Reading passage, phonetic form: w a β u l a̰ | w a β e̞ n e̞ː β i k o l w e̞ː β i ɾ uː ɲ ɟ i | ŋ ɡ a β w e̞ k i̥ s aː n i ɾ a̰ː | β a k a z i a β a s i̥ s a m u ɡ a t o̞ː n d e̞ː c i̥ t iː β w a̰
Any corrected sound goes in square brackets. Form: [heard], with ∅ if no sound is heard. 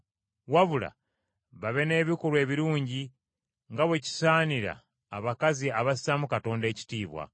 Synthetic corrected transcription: w a β u l a̰ | [β] a β e̞ n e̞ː β i k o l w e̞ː β i ɾ uː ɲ ɟ i | ŋ ɡ a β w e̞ [c] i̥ s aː n i ɾ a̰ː | β a k a z i a β a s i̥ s a m u [k] a t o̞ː n d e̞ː c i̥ t iː β w a̰